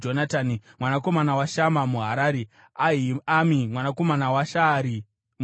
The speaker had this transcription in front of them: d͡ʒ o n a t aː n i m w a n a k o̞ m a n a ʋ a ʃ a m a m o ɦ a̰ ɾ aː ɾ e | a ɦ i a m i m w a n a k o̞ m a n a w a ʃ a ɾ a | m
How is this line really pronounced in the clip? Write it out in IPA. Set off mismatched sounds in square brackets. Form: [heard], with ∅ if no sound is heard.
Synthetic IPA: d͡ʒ o n a t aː n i m w a n a k o̞ m a n a [w] a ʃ a m a m [u] ɦ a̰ ɾ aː ɾ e | a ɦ i a m i m w a n a k o̞ m a n a w a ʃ a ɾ [i] | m